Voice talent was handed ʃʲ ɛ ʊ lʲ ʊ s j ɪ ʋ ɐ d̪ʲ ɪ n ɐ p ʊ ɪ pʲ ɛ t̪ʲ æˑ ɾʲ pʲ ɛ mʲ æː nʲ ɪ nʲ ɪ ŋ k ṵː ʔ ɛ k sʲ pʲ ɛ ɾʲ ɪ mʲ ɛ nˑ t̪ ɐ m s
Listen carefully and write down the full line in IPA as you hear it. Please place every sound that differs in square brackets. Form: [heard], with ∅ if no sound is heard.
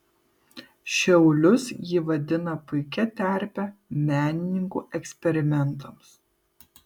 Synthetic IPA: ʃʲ ɛ ʊ lʲ ʊ s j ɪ ʋ ɐ d̪ʲ ɪ n ɐ p ʊ ɪ [kʲ] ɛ t̪ʲ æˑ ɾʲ pʲ ɛ mʲ æː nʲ ɪ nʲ ɪ ŋ k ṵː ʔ ɛ k sʲ pʲ ɛ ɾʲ ɪ mʲ ɛ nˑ t̪ ɐ m s